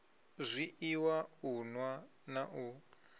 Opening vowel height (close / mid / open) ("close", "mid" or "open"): close